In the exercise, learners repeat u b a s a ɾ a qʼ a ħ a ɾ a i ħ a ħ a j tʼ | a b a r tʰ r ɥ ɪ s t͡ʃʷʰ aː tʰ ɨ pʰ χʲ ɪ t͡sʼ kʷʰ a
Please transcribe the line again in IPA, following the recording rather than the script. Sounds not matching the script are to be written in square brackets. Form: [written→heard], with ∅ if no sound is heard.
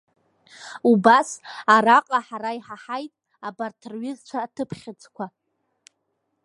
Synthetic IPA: u b a s a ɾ a qʼ a ħ a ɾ a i ħ a ħ a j tʼ | a b a r tʰ r ɥ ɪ [s→z] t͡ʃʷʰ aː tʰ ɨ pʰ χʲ ɪ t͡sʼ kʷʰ a